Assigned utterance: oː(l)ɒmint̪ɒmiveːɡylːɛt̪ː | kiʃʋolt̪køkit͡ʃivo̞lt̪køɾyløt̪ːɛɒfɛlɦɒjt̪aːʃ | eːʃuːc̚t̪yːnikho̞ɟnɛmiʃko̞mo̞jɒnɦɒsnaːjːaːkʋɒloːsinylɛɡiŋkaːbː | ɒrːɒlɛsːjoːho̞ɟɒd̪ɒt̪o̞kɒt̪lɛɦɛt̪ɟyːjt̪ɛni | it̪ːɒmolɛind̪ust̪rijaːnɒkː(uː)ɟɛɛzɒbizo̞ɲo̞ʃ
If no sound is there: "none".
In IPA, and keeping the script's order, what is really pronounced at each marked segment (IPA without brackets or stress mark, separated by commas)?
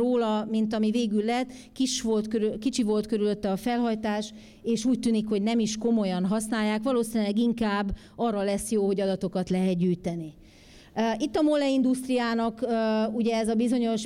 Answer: l, u